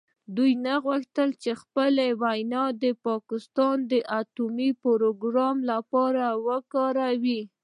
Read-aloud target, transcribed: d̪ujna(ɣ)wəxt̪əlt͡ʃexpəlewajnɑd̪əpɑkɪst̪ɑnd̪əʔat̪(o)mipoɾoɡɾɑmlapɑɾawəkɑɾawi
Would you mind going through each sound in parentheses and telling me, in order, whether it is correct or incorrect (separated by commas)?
correct, incorrect